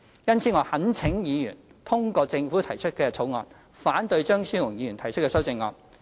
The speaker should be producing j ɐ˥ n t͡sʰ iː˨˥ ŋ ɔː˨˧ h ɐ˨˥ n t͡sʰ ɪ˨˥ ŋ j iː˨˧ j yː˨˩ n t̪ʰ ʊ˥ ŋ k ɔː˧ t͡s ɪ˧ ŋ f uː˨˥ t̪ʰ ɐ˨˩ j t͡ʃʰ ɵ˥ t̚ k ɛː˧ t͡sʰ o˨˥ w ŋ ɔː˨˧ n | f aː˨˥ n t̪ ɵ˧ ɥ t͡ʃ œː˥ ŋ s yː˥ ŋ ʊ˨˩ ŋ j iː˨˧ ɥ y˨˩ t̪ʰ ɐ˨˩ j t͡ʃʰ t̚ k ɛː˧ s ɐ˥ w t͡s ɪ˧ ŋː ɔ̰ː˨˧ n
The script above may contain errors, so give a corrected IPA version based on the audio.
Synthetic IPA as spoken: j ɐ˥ n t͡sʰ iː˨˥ ŋ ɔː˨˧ h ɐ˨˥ n t͡sʰ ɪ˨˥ ŋ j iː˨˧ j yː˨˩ n t̪ʰ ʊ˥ ŋ k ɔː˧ t͡s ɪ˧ ŋ f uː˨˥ t̪ʰ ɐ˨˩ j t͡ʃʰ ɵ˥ t̚ k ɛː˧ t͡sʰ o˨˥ w ŋ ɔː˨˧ n | f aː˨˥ n t̪ ɵ˧ ɥ t͡ʃ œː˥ ŋ s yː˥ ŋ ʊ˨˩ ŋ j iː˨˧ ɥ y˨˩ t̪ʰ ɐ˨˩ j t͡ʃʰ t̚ k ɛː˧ s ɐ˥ w t͡s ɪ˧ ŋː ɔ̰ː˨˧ n